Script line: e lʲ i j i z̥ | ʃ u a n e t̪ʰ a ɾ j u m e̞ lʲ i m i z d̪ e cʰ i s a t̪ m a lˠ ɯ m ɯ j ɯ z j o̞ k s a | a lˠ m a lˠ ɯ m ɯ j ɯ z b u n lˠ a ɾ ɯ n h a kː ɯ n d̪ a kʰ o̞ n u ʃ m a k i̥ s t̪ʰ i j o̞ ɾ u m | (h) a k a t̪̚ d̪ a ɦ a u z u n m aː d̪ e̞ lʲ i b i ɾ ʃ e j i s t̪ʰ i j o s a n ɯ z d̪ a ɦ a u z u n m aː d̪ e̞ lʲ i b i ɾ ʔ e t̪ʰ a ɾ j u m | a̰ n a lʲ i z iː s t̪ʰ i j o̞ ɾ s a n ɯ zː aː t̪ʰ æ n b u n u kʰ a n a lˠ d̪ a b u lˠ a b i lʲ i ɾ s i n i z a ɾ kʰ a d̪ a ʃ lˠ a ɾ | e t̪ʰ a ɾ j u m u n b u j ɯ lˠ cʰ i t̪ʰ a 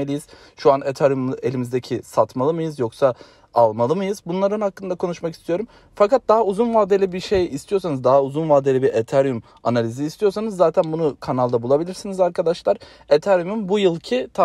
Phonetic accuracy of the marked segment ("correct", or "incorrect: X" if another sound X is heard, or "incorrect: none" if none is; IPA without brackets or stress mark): incorrect: f